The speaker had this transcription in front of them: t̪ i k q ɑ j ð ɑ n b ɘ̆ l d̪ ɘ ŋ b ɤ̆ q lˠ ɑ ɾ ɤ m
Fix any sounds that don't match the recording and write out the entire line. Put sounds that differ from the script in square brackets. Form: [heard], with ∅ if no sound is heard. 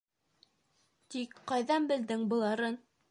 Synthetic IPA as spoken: t̪ i k q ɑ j ð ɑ n b ɘ̆ l d̪ ɘ ŋ b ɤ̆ [∅] lˠ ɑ ɾ ɤ [n]